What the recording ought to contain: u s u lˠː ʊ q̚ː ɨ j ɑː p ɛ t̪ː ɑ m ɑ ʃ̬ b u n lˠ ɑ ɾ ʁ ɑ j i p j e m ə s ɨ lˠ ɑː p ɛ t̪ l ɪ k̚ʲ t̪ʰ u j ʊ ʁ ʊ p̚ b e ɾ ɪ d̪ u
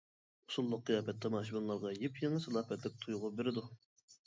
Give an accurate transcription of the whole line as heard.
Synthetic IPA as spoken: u s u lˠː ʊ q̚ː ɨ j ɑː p ɛ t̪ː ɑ m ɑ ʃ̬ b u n lˠ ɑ ɾ ʁ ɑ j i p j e ŋ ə s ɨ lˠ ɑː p ɛ t̪ l ɪ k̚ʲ t̪ʰ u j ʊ ʁ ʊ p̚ b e ɾ ɪ d̪ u